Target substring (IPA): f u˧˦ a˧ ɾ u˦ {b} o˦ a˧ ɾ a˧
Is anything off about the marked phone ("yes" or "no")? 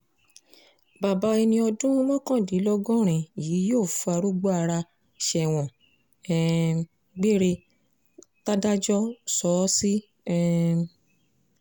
yes